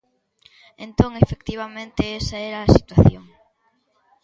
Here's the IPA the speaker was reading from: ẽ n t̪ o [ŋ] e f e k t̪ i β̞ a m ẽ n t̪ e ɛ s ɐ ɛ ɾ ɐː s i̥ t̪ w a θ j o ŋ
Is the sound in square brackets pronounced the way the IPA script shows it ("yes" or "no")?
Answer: yes